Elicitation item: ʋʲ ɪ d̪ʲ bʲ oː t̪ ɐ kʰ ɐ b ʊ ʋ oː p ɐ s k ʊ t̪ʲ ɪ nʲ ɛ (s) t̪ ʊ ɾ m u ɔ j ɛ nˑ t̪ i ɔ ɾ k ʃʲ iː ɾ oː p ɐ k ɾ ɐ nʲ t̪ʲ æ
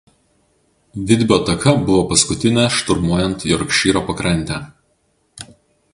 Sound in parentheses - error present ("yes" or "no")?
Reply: yes